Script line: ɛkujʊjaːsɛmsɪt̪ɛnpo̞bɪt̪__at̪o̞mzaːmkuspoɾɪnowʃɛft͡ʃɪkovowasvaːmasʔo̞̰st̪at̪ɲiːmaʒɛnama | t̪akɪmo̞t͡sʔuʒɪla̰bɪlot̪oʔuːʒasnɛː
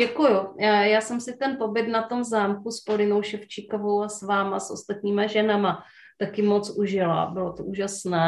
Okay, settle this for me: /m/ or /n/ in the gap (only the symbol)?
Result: n